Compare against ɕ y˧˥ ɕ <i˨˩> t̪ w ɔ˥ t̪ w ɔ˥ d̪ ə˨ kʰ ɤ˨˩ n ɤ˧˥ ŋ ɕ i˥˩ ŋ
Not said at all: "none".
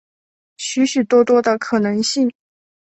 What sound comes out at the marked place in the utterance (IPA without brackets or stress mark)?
y˨˩